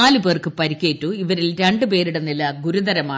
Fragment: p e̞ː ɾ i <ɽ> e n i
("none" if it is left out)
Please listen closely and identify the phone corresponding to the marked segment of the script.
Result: ɽ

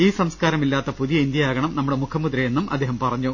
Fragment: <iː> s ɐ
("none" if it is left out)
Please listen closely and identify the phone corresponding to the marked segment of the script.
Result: iː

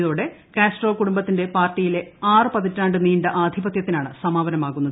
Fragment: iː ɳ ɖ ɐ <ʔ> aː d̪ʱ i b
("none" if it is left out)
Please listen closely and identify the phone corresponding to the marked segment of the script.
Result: ʔ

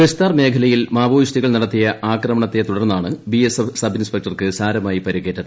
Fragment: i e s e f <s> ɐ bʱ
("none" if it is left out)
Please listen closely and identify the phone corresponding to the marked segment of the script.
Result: s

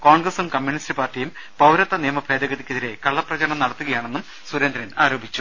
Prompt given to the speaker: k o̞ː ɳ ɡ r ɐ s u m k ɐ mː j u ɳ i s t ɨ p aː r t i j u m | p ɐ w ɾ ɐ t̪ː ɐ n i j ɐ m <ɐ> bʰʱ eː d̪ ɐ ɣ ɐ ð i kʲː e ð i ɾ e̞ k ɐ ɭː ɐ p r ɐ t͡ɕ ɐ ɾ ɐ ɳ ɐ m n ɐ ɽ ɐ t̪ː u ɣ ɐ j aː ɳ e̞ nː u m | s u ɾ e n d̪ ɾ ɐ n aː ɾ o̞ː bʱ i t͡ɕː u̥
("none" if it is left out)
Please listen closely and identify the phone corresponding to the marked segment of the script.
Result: ɐ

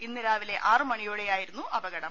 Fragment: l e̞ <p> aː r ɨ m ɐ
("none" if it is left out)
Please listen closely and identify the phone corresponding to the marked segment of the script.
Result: ʔ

